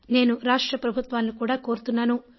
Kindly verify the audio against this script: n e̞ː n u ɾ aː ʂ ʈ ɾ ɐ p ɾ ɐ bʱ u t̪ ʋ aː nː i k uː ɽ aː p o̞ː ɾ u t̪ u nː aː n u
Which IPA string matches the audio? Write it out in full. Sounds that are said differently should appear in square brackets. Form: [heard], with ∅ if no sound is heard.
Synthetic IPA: n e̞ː n u ɾ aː ʂ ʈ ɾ ɐ p ɾ ɐ bʱ u t̪ ʋ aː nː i k uː ɽ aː [k] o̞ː ɾ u t̪ u nː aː n u

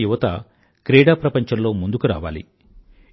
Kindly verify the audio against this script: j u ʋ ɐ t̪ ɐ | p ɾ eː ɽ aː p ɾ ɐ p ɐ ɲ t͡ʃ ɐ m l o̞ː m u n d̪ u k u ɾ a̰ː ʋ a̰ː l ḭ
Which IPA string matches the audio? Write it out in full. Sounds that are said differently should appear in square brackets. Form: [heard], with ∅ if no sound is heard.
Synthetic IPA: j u ʋ ɐ t̪ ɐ | [k] ɾ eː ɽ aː p ɾ ɐ p ɐ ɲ t͡ʃ ɐ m l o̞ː m u n d̪ u k u ɾ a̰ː ʋ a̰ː l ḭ

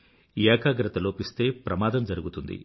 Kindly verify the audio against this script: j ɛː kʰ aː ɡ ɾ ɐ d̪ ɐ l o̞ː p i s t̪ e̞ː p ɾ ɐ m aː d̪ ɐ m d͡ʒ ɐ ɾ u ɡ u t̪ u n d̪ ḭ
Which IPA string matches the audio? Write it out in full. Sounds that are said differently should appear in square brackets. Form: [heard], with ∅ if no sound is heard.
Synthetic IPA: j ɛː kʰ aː ɡ ɾ ɐ [t̪] ɐ l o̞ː p i s t̪ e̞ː p ɾ ɐ m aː d̪ ɐ m d͡ʒ ɐ ɾ u ɡ u t̪ u n d̪ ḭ

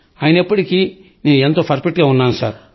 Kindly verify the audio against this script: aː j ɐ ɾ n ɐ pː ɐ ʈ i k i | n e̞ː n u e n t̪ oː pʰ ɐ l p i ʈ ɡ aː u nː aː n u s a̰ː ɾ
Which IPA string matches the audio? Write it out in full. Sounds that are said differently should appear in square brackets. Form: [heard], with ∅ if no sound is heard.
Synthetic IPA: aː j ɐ [∅] n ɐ pː ɐ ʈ i k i | n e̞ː n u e n t̪ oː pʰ ɐ [ɾ] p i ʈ ɡ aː u nː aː n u s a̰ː ɾ

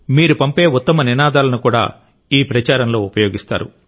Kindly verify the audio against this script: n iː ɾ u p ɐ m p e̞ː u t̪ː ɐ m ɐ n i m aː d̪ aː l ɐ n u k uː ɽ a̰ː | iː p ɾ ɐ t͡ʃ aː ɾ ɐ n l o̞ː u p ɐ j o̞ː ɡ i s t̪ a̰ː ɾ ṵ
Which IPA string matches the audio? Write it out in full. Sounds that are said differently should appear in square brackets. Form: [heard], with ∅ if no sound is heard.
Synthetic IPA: [m] iː ɾ u p ɐ m p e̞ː u t̪ː ɐ m ɐ n i [n] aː d̪ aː l ɐ n u k uː ɽ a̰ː | iː p ɾ ɐ t͡ʃ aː ɾ ɐ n l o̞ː u p ɐ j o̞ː ɡ i s t̪ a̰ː ɾ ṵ

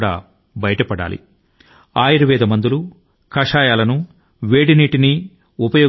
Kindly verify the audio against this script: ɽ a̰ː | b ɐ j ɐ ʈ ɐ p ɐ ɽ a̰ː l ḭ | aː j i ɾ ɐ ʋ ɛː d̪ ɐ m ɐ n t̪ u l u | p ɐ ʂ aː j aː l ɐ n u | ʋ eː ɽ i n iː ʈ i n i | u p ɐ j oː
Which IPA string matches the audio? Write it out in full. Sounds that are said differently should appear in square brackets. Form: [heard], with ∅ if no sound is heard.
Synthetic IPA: ɽ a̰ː | b ɐ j ɐ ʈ ɐ p ɐ ɽ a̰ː l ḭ | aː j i ɾ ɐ ʋ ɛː d̪ ɐ m ɐ n [d̪] u l u | [k] ɐ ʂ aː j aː l ɐ n u | ʋ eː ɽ i n iː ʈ i n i | u p ɐ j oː

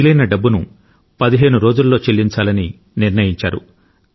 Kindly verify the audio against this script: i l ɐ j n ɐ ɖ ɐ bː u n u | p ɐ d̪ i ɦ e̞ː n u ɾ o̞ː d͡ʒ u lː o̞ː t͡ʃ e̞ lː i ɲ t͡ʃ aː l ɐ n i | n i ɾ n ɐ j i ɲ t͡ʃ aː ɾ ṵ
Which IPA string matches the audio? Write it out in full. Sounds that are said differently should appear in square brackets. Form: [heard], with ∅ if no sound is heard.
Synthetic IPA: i l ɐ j n ɐ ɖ ɐ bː u n u | p ɐ d̪ i ɦ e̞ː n u ɾ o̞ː d͡ʒ u lː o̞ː t͡ʃ e̞ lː i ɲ t͡ʃ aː l ɐ n i | n i ɾ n ɐ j i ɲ t͡ʃ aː ɾ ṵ

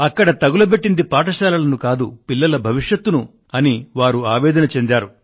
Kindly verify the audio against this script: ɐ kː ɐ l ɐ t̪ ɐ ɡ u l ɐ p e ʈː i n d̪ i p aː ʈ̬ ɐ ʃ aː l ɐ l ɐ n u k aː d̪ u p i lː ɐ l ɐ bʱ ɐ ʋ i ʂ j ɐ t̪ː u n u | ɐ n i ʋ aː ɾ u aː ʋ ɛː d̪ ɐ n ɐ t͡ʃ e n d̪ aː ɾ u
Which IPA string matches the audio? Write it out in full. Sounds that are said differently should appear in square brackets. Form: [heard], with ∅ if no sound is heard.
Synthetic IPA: ɐ kː ɐ [ɽ] ɐ t̪ ɐ ɡ u l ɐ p e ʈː i n d̪ i p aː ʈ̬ ɐ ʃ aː l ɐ l ɐ n u k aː d̪ u p i lː ɐ l ɐ bʱ ɐ ʋ i ʂ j ɐ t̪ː u n u | ɐ n i ʋ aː ɾ u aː ʋ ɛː d̪ ɐ n ɐ t͡ʃ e n d̪ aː ɾ u

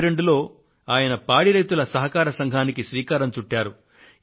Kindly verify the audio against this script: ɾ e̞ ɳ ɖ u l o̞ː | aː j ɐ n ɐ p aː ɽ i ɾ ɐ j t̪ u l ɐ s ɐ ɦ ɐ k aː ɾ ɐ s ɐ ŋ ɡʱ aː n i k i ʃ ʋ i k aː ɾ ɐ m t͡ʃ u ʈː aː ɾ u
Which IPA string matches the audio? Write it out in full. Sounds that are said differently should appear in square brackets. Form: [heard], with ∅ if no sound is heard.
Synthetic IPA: ɾ e̞ ɳ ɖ u l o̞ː | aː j ɐ n ɐ p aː ɽ i ɾ ɐ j t̪ u l ɐ s ɐ ɦ ɐ k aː ɾ ɐ s ɐ ŋ ɡʱ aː n i k i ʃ ʋ [iː] k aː ɾ ɐ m t͡ʃ u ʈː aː ɾ u

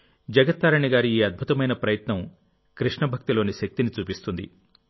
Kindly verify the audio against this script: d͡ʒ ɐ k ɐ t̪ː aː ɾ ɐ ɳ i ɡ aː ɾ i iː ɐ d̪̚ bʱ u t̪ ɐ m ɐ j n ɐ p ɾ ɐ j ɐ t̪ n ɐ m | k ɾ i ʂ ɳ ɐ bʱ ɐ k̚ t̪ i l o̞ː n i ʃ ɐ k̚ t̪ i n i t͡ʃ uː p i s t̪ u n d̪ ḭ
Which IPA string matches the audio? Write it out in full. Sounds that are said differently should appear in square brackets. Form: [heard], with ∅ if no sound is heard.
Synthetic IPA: d͡ʒ ɐ [ɡ] ɐ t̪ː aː ɾ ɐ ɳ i ɡ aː ɾ i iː ɐ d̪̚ bʱ u t̪ ɐ m ɐ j n ɐ p ɾ ɐ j ɐ t̪ n ɐ m | k ɾ i ʂ ɳ ɐ bʱ ɐ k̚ t̪ i l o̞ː n i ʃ ɐ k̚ t̪ i n i t͡ʃ uː p i s t̪ u n d̪ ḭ

